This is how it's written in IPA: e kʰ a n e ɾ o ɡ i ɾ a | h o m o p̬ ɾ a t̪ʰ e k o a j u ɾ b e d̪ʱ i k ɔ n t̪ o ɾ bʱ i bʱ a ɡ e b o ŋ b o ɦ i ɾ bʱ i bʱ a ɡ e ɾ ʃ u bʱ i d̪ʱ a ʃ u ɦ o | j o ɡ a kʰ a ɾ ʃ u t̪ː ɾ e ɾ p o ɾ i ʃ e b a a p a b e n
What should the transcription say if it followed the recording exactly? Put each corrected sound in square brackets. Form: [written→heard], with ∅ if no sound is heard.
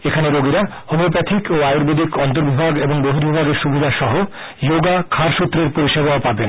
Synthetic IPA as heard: e kʰ a n e ɾ o ɡ i ɾ a | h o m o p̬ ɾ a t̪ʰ [e→i] k o a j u ɾ b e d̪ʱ i k ɔ n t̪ o ɾ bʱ i bʱ a ɡ e b o ŋ b o ɦ i ɾ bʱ i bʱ a ɡ e ɾ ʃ u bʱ i d̪ʱ a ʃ [u→ɔ] ɦ o | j o ɡ a kʰ a ɾ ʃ u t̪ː ɾ e ɾ p o ɾ i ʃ e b a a p a b e n